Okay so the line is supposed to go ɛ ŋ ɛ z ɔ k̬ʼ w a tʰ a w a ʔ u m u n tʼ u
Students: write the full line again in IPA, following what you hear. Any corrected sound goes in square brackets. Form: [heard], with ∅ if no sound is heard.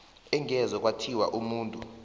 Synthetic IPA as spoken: ɛ ŋ ɛ z ɔ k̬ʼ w a tʰ [i] w a ʔ u m [uː] n tʼ u

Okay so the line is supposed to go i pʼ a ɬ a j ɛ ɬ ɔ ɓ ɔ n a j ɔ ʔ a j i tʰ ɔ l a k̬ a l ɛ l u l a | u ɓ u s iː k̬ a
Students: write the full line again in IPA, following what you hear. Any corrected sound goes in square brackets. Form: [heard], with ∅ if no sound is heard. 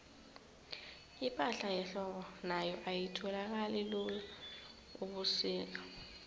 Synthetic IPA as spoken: i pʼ a ɬ a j ɛ ɬ ɔ ɓ ɔ n a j ɔ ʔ a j i tʰ ɔ l a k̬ a l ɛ l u l a | u ɓ u s iː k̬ a

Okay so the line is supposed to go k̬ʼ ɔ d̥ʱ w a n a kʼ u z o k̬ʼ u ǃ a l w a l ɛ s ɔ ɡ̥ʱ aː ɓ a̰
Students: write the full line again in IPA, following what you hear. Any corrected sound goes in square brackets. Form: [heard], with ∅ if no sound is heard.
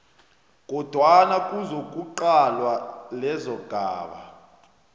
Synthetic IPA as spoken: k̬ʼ ɔ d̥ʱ w a n a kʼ u z o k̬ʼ u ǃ a l w a l ɛ [z] ɔ ɡ̥ʱ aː ɓ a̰

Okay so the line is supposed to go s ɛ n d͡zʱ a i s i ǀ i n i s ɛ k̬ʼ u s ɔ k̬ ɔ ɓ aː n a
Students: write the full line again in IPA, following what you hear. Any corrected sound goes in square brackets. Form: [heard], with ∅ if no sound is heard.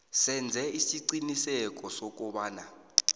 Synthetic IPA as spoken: s ɛ n d͡zʱ [ɛ] i s i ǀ i n i s ɛ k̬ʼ [ɔ] s ɔ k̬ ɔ ɓ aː n a

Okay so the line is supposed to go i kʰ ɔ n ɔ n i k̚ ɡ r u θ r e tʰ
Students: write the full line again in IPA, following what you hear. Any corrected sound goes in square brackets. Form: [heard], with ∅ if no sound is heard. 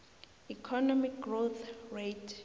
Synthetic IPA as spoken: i kʰ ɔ n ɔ [m] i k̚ ɡ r [o] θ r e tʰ

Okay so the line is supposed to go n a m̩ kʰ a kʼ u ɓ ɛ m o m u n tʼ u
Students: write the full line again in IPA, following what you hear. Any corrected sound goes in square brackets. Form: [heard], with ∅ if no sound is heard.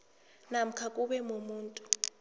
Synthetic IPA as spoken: n a m̩ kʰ a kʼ u ɓ ɛ m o m [uː] n tʼ u

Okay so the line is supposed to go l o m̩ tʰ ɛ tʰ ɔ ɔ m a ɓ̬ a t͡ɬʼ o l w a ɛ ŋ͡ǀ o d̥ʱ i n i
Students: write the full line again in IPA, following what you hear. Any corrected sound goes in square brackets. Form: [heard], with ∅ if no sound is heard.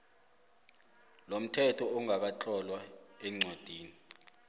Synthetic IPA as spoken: l o m̩ tʰ ɛ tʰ ɔ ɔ [ŋ] a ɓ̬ a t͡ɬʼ [ɔ] l w a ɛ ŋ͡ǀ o d̥ʱ [iː] n i

